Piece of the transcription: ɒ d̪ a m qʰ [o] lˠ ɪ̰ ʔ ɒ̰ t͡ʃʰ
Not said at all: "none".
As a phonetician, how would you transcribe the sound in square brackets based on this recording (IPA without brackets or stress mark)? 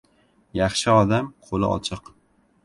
o